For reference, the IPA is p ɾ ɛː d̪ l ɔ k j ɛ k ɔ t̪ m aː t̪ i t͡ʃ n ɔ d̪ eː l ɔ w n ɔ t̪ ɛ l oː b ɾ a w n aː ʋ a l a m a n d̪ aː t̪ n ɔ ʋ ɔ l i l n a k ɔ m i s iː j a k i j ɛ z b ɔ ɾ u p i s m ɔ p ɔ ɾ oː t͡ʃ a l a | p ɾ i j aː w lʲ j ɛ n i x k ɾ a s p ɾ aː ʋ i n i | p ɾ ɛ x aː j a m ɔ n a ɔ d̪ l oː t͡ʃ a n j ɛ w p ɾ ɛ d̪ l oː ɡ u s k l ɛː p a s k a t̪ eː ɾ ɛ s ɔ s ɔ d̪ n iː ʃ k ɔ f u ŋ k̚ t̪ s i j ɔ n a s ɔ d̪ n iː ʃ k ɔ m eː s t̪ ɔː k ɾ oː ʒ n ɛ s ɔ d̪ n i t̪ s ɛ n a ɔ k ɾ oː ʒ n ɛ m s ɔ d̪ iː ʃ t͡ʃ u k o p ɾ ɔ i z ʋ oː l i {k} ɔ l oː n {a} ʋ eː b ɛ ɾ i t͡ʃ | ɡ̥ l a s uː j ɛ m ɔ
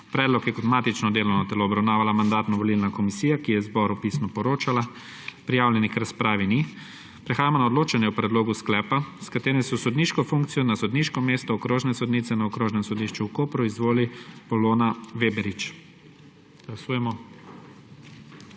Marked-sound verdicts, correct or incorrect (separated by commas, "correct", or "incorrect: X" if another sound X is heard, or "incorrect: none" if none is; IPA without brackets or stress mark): incorrect: p, correct